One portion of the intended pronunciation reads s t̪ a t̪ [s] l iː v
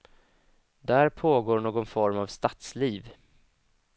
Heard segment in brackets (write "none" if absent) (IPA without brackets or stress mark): s